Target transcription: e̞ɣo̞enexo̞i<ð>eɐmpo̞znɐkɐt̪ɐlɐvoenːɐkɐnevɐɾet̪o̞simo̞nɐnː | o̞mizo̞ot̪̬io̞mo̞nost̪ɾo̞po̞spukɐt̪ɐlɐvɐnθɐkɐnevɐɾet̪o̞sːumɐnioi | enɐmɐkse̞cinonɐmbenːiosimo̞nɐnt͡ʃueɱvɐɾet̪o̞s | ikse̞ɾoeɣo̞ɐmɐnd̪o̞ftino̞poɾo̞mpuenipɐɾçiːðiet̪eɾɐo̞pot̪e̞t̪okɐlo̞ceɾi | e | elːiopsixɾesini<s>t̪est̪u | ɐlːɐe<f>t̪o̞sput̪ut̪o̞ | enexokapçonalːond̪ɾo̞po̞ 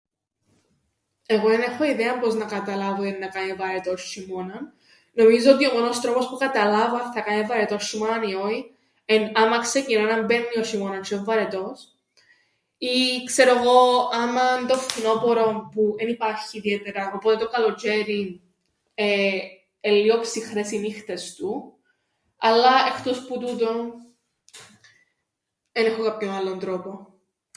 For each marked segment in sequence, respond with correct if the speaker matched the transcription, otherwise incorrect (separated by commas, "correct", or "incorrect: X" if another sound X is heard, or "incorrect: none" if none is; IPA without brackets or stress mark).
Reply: correct, incorrect: x, incorrect: x